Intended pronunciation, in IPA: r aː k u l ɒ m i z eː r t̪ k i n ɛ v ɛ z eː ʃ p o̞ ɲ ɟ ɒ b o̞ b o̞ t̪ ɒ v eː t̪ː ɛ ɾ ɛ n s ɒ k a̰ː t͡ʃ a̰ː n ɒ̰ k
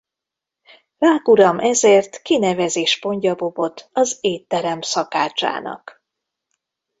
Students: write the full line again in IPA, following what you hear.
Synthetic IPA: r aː k u ɾ ɒ m ɛ z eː r t̪ k i n ɛ v ɛ z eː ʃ p o̞ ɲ ɟ ɒ b o̞ b o̞ t̪ ɒ z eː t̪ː ɛ ɾ ɛ m s ɒ k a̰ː t͡ʃ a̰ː n ɒ̰ k